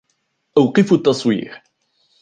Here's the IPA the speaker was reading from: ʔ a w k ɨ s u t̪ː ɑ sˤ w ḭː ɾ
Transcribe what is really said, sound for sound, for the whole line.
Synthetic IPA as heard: ʔ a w q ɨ f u t̪ː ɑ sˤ w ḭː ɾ